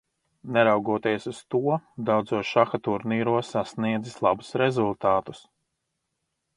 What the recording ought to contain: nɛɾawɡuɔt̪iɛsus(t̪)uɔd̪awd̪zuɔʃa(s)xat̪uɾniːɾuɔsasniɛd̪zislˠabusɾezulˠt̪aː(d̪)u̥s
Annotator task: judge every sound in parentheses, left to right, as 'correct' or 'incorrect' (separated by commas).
correct, incorrect, incorrect